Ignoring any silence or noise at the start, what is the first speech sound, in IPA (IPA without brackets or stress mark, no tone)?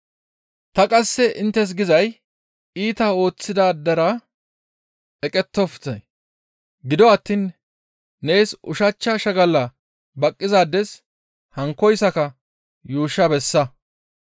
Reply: t̪